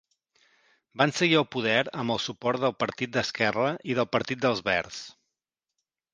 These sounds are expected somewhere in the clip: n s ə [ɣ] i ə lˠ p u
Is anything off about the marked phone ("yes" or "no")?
no